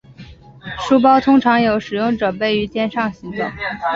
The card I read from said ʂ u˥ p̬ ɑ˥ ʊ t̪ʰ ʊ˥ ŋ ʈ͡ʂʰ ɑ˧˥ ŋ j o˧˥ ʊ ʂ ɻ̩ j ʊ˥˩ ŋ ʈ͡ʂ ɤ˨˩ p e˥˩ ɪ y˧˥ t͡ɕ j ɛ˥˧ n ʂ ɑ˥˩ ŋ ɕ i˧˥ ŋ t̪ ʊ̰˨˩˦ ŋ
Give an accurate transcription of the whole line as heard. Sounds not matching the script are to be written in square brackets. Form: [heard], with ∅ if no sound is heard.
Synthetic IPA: ʂ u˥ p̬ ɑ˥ ʊ t̪ʰ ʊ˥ ŋ ʈ͡ʂʰ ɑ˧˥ ŋ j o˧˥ ʊ ʂ ɻ̩ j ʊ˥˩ ŋ ʈ͡ʂ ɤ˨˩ p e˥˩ ɪ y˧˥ t͡ɕ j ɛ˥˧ n ʂ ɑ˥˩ ŋ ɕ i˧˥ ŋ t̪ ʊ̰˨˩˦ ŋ